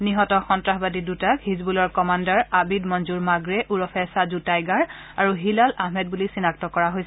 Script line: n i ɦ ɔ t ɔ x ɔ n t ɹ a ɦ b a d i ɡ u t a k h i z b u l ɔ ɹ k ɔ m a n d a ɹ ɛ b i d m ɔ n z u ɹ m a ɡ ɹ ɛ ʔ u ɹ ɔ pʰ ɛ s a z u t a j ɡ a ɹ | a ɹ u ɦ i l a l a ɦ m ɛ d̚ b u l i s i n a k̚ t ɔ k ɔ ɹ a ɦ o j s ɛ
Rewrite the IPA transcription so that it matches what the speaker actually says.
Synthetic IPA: n i ɦ ɔ t ɔ x ɔ n t ɹ a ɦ b a d i d u t a k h i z b u l ɔ ɹ k ɔ m a n d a ɹ a b i d m ɔ n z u ɹ m a ɡ ɹ ɛ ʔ u ɹ ɔ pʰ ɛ s a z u t a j ɡ a ɹ | a ɹ u ɦ i l a l a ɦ m ɛ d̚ b u l i s i n a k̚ t ɔ k ɔ ɹ a ɦ o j s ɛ